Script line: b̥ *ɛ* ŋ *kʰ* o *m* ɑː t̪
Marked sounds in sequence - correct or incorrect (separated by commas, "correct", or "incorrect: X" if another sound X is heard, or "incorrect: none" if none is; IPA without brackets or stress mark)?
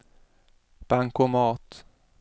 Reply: incorrect: a, incorrect: k, correct